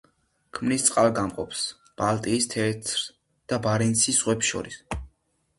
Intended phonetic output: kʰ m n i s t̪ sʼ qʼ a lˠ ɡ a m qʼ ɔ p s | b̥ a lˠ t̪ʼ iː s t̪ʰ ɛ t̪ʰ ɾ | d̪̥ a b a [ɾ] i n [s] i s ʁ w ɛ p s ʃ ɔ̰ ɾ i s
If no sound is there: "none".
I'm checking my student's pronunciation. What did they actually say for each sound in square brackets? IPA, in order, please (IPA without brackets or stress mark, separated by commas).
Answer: ɾ, s